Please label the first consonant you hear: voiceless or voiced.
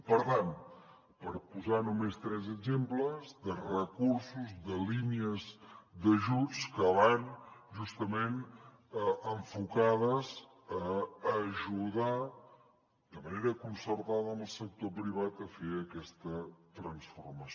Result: voiceless